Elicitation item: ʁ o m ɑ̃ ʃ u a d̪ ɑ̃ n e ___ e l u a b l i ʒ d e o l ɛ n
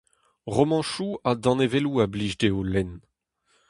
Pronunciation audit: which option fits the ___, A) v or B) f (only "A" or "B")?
A